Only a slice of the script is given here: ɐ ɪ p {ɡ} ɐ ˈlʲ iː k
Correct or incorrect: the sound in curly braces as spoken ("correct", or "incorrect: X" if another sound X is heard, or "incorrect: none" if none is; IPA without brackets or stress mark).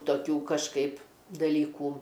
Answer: incorrect: d